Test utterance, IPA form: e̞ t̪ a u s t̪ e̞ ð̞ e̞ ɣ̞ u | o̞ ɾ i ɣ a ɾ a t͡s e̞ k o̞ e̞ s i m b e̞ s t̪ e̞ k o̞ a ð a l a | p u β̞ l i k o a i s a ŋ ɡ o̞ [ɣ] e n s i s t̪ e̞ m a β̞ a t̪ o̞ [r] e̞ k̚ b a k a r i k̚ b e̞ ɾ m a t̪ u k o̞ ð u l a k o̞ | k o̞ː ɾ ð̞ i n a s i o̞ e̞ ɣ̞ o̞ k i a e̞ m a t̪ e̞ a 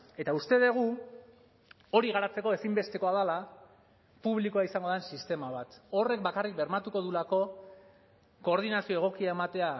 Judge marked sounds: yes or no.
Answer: no, yes

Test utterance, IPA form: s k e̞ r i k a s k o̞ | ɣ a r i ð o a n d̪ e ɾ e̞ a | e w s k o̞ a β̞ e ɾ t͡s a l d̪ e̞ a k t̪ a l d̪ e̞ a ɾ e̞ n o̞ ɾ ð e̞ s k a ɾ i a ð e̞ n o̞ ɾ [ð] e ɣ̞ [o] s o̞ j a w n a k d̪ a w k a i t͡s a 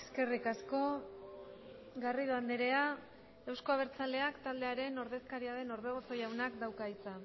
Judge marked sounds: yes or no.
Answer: yes, yes

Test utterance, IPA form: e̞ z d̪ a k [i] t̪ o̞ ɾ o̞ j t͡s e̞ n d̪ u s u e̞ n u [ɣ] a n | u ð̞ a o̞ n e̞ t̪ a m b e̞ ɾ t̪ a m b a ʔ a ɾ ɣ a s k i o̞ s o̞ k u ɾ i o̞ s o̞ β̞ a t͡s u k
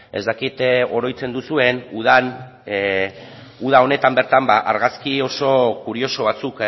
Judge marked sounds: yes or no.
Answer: yes, no

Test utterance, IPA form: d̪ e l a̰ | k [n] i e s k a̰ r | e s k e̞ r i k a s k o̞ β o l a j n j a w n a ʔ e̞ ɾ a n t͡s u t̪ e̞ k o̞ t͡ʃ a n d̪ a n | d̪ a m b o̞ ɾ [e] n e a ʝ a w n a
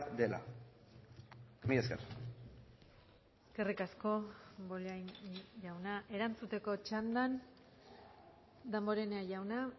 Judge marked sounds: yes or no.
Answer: no, yes

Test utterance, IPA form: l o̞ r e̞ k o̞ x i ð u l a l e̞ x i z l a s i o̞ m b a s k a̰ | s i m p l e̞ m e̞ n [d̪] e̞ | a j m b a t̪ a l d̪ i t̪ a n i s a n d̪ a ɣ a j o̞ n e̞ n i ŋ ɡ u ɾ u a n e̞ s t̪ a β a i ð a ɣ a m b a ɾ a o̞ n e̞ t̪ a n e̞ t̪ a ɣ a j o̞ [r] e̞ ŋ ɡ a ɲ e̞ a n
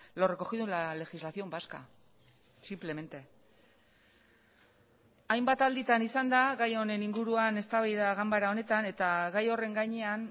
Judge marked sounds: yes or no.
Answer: no, yes

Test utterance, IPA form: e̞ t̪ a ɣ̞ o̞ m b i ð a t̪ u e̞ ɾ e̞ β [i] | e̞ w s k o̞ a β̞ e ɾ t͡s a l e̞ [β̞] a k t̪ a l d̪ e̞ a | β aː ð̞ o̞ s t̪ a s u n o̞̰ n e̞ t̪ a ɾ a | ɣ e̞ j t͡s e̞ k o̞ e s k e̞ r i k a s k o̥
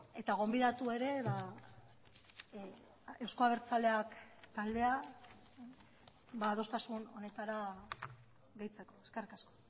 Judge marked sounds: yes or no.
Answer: no, no

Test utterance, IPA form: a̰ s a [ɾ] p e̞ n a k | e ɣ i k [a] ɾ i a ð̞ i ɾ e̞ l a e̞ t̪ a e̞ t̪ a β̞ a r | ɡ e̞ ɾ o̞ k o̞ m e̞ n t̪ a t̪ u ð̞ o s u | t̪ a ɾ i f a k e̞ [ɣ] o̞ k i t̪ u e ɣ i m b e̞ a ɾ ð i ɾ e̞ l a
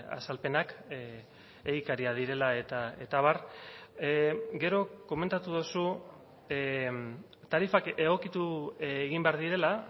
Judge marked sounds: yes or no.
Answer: no, yes, yes

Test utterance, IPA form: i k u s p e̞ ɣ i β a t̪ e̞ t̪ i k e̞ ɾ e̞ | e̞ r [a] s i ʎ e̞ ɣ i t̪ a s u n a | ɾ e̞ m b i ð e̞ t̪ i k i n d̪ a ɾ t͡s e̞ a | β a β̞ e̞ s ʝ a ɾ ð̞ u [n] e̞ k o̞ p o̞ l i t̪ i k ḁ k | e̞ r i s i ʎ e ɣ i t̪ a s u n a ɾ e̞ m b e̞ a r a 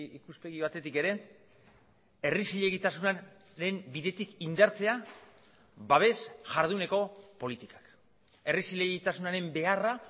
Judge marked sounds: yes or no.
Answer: no, yes

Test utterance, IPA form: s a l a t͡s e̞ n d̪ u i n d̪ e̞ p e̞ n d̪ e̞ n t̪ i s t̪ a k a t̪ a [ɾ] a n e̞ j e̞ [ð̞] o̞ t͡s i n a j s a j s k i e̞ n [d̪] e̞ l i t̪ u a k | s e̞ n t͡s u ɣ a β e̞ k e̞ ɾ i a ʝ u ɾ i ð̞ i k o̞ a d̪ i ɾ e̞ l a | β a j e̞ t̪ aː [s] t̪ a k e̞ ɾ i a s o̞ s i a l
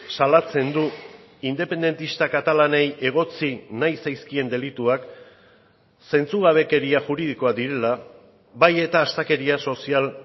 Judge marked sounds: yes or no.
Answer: no, no, yes, yes

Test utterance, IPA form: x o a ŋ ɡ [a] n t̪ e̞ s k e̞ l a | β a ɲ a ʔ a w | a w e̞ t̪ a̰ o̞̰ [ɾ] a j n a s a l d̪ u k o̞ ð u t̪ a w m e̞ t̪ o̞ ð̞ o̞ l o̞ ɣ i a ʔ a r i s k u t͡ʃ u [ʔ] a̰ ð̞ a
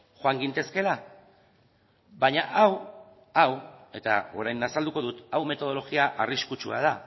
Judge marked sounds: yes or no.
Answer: no, yes, no

